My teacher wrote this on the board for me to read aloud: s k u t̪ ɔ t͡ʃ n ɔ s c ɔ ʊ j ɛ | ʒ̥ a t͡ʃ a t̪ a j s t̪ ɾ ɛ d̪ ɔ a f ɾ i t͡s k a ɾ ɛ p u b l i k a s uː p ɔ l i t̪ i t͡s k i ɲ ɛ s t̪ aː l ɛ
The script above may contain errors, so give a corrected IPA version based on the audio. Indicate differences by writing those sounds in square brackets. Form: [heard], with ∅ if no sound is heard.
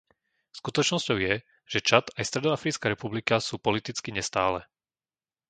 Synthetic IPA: s k u t̪ ɔ t͡ʃ n ɔ s c ɔ ʊ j ɛ | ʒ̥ [ɛ] t͡ʃ a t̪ a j s t̪ ɾ ɛ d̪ ɔ a f ɾ i t͡s k a ɾ ɛ p u b l i k a s uː p ɔ l i t̪ i t͡s k i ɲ ɛ s t̪ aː l ɛ

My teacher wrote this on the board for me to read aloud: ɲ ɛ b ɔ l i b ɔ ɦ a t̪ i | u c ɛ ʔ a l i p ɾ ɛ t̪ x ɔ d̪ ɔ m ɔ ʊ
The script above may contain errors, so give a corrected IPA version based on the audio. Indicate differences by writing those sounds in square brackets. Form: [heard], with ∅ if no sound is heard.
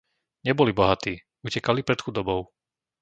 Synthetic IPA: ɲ ɛ b ɔ l i b ɔ ɦ a t̪ [iː] | u c ɛ [k] a l i p ɾ ɛ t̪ x [u] d̪ ɔ [b] ɔ ʊ

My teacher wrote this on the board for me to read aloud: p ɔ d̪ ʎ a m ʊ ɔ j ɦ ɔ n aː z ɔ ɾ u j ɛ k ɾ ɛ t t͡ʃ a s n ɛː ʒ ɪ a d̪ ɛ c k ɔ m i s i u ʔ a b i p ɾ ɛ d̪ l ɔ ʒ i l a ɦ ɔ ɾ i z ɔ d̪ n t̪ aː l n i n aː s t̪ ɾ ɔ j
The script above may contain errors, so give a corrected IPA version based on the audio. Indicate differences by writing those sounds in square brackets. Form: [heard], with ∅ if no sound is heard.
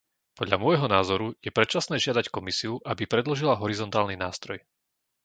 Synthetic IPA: p ɔ d̪ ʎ a m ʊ ɔ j ɦ ɔ n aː z ɔ ɾ u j ɛ [p] ɾ ɛ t t͡ʃ a s n ɛː ʒ ɪ a d̪ [a] c k ɔ m i s i u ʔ a b i p ɾ ɛ d̪ l ɔ ʒ i l a ɦ ɔ ɾ i z ɔ [∅] n t̪ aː l n i n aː s t̪ ɾ ɔ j

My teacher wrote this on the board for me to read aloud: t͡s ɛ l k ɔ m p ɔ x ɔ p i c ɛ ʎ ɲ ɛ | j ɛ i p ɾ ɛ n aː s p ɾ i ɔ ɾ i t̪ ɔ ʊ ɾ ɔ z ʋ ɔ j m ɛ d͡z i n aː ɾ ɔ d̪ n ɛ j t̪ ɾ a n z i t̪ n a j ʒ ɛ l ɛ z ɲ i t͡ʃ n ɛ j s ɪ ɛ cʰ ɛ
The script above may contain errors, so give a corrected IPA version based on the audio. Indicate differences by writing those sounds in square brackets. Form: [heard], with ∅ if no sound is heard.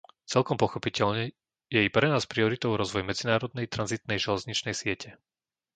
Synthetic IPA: t͡s ɛ l k ɔ m p ɔ x ɔ p i c ɛ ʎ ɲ ɛ | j ɛ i p ɾ ɛ n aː s p ɾ i ɔ ɾ i t̪ ɔ ʊ ɾ ɔ z ʋ ɔ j m ɛ d͡z i n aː ɾ ɔ d̪ n ɛ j t̪ ɾ a n z i t̪ n [ɛ] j ʒ ɛ l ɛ z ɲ i t͡ʃ n ɛ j s ɪ ɛ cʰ ɛ

